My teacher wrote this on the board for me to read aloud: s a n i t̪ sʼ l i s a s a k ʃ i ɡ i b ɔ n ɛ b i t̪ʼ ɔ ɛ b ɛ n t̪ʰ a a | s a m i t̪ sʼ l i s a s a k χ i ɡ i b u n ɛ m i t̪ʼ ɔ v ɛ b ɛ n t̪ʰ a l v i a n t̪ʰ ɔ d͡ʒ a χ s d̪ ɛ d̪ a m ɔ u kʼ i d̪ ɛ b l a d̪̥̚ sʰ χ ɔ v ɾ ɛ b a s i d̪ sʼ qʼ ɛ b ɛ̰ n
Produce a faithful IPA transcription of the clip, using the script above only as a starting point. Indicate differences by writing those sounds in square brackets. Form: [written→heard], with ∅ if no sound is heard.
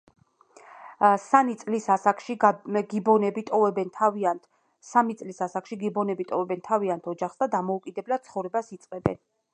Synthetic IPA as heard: s a n i t̪ sʼ l i s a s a k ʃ i ɡ i b ɔ n ɛ b i t̪ʼ ɔ ɛ b ɛ n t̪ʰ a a | s a m i t̪ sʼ l i s a s a k [χ→ʃ] i ɡ i b [u→ɔ] n ɛ [m→b] i t̪ʼ ɔ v ɛ b ɛ n t̪ʰ a [l→∅] v i a n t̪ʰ ɔ d͡ʒ a χ s d̪ [ɛ→a] d̪ a m ɔ u kʼ i d̪ ɛ b l a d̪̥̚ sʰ χ ɔ v ɾ ɛ b a s i [d̪→t̪] sʼ qʼ ɛ b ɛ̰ n